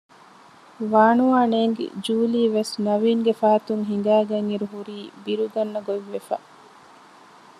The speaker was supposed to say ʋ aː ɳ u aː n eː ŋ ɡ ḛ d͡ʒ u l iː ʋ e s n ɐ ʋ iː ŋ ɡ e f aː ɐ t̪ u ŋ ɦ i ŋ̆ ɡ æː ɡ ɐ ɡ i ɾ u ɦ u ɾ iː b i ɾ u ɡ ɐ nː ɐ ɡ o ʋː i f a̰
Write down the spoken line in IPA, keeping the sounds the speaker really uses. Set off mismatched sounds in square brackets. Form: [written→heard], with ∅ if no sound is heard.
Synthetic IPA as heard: ʋ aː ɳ u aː n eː ŋ ɡ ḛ d͡ʒ [u→uː] l iː ʋ e s n ɐ ʋ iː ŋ ɡ e f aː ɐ t̪ u ŋ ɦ i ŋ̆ ɡ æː ɡ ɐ [ɡ→ŋ] i ɾ u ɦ u ɾ iː b i ɾ u ɡ ɐ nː ɐ ɡ o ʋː [i→e] f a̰

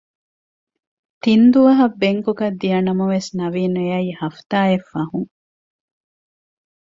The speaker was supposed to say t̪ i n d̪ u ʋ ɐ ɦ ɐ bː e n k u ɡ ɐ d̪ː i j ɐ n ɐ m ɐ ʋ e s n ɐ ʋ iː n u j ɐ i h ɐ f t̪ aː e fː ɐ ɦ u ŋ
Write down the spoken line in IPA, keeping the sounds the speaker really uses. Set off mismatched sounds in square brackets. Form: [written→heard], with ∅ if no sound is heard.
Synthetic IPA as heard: t̪ i n d̪ u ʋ ɐ ɦ ɐ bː e [n→ŋ] k u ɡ ɐ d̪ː i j ɐ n ɐ m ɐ ʋ e s n ɐ ʋ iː n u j ɐ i h ɐ f t̪ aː e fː ɐ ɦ u ŋ

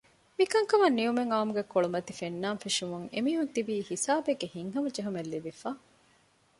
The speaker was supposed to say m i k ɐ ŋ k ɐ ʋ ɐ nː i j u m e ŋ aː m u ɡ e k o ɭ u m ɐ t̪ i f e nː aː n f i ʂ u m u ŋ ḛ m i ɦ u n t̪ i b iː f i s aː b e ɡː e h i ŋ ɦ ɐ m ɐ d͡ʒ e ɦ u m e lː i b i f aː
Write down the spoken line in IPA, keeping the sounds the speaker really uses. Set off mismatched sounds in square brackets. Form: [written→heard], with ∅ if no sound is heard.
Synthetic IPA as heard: m i k ɐ ŋ k ɐ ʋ ɐ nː i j u m e ŋ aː m u ɡ e k o ɭ u m ɐ t̪ i f e nː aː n f i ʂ u m u ŋ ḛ m [i→iː] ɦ u n t̪ i b iː [f→h] i s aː b e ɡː e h i ŋ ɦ ɐ m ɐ d͡ʒ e ɦ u m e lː i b i f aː

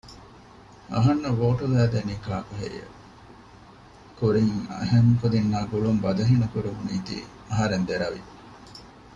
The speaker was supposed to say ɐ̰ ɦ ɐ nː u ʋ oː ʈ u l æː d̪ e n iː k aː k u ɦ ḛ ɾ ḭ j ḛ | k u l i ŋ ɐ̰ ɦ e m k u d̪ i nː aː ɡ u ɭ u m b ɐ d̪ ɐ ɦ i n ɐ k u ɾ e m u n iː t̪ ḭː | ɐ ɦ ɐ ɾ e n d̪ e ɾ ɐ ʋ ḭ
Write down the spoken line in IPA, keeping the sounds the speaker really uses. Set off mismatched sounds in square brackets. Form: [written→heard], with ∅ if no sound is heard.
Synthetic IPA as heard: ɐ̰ ɦ ɐ nː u ʋ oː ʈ u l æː d̪ e n iː k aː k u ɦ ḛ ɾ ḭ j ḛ | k u [l→ɾ] i ŋ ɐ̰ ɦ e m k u d̪ i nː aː ɡ u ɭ u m b ɐ d̪ ɐ ɦ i n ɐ k u ɾ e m u n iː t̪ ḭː | ɐ ɦ ɐ ɾ e n d̪ e ɾ ɐ ʋ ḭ

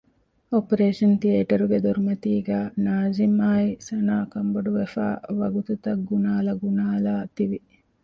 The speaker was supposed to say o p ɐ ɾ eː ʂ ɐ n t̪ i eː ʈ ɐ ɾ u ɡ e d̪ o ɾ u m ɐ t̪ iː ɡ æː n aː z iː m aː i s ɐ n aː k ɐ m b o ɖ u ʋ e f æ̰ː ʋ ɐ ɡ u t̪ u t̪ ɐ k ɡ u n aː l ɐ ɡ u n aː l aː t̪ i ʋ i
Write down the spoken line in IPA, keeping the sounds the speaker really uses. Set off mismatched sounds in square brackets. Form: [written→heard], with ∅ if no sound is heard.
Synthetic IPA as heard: o p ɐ ɾ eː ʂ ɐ n t̪ i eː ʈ ɐ ɾ u ɡ e d̪ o ɾ u m ɐ t̪ iː ɡ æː n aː z [iː→i] m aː i s ɐ n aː k ɐ m b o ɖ u ʋ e f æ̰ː ʋ ɐ ɡ u t̪ u t̪ ɐ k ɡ u n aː l ɐ ɡ u n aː l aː t̪ i ʋ i

